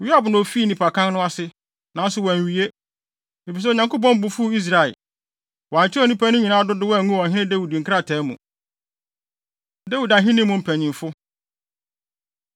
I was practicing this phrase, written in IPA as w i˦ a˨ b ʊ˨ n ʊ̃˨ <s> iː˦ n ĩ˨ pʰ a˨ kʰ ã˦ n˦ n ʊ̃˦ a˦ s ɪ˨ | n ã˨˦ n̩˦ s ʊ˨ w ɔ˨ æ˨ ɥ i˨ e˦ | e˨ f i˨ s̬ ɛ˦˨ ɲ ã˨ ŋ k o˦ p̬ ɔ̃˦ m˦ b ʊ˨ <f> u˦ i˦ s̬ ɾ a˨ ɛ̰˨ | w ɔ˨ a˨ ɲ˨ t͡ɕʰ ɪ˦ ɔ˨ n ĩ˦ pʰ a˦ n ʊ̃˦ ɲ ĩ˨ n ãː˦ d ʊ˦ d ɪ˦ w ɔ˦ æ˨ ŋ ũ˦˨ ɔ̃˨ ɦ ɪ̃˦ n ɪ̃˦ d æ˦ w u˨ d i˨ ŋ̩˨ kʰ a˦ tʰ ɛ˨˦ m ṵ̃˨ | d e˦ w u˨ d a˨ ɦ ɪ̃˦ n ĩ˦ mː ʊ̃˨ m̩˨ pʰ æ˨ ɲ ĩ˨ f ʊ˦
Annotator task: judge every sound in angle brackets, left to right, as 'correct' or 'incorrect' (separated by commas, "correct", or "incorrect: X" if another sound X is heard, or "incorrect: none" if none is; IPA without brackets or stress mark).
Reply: incorrect: f, correct